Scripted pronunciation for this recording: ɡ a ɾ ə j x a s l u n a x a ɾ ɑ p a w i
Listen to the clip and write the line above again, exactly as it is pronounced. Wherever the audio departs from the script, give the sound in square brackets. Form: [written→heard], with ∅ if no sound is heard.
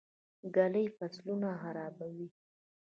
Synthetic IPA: ɡ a [ɾ→l] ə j [x→f] a s l u n a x a ɾ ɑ [p→b] a w i